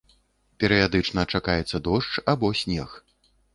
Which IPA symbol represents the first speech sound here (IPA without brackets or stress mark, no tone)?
pʲ